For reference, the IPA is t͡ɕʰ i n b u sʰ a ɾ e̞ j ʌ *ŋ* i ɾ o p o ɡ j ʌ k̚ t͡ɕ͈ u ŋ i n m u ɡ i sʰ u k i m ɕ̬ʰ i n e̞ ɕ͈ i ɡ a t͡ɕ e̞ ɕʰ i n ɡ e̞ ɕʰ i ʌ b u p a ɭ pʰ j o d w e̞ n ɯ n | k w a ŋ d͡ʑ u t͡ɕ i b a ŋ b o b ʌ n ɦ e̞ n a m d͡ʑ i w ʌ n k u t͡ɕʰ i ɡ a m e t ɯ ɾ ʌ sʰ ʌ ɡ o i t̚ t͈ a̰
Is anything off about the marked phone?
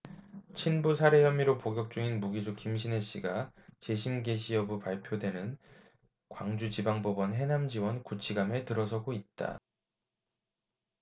yes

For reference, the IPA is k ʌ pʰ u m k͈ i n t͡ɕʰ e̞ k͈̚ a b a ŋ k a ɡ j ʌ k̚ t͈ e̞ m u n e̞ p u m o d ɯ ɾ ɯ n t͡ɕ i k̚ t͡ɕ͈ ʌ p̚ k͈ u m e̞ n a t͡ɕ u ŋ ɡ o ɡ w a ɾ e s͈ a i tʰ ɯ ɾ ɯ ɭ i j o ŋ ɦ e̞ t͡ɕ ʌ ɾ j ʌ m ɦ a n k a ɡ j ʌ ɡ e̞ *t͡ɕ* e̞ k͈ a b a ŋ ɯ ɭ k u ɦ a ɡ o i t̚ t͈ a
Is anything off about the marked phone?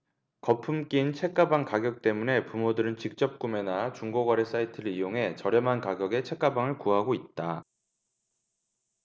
yes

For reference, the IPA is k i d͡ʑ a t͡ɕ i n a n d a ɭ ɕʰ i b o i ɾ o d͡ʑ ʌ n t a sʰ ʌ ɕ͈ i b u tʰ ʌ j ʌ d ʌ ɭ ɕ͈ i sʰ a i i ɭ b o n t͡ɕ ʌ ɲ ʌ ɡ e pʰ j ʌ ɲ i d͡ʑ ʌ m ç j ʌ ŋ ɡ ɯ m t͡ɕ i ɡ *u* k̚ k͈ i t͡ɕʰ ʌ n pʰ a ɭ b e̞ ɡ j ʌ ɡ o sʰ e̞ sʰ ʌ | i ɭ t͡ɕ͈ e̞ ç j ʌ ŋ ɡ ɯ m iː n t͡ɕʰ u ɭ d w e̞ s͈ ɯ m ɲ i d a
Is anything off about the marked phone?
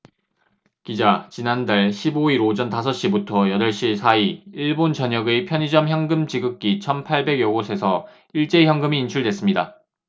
yes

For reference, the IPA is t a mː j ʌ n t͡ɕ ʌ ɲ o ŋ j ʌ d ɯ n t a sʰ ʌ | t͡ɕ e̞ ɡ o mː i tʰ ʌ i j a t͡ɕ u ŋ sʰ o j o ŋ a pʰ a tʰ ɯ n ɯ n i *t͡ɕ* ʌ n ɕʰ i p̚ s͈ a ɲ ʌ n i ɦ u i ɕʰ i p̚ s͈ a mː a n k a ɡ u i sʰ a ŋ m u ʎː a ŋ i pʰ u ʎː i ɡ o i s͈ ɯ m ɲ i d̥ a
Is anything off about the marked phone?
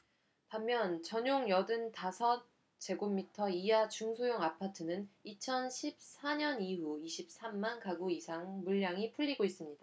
yes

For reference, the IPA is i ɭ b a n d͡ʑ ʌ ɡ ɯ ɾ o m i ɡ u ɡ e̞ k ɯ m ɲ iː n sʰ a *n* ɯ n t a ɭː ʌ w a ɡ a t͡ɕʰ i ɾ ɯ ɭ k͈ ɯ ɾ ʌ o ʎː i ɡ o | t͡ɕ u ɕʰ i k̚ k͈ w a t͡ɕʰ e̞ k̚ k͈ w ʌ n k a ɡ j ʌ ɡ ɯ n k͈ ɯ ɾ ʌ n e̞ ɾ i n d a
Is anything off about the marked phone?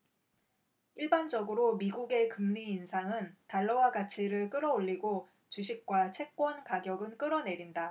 yes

